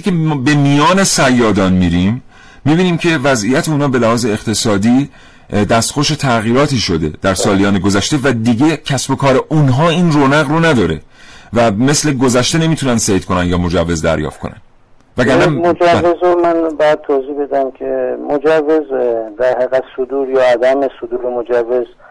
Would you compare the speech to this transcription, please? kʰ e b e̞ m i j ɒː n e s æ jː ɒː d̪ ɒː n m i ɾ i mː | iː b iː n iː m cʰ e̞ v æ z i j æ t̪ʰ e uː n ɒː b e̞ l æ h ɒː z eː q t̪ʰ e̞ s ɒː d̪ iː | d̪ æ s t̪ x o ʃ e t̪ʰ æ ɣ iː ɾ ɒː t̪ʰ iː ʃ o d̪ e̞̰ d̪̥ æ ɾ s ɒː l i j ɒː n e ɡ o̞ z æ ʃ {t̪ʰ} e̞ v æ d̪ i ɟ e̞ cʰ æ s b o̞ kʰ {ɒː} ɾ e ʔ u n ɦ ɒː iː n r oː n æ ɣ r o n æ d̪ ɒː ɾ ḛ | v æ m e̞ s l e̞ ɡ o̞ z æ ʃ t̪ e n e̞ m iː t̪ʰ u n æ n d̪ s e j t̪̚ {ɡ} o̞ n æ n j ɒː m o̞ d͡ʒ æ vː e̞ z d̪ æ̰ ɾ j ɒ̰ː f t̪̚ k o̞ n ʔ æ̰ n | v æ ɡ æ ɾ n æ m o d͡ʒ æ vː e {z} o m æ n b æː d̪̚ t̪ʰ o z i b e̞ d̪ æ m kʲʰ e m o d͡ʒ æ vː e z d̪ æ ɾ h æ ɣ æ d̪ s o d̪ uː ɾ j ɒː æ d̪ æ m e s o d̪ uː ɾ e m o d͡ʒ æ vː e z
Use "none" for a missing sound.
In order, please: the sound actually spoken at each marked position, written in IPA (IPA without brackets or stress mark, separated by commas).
t̪, ɒː, k, z